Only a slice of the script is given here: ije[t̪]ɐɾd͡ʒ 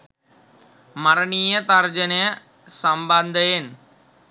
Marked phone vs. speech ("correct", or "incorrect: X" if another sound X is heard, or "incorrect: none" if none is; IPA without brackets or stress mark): correct